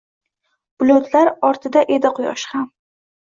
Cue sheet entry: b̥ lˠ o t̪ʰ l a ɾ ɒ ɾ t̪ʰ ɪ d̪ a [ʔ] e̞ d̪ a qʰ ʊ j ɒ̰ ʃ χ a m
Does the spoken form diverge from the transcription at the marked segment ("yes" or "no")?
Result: no